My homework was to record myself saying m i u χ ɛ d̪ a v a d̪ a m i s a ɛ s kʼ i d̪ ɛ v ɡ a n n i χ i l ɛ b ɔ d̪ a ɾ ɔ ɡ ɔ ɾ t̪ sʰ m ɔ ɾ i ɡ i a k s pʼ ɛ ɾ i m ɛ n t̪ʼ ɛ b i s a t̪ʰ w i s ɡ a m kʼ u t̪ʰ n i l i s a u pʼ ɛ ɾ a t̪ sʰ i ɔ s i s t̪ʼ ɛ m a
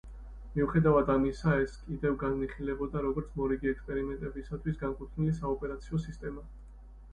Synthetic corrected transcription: m i u χ ɛ d̪ a v a d̪ a m i s a ɛ s kʼ i d̪ ɛ v ɡ a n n i χ i l ɛ b ɔ d̪ a ɾ ɔ ɡ ɔ ɾ t̪ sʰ m ɔ ɾ i ɡ i ɛ k s pʼ ɛ ɾ i m ɛ n t̪ʼ ɛ b i s a t̪ʰ w i s ɡ a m kʼ u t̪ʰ n i l i s a ɔ pʼ ɛ ɾ a t̪ sʰ i ɔ s i s t̪ʼ ɛ m a